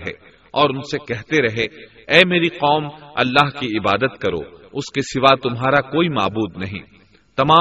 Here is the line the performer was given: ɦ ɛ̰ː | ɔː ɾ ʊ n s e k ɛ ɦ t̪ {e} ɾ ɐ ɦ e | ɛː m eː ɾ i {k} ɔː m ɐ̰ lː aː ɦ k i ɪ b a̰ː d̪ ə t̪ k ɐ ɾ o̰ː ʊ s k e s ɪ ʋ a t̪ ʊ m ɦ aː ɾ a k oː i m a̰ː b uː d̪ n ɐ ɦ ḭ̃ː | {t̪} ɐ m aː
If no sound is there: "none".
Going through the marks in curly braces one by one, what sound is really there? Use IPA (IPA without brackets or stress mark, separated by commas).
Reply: e, q, t̪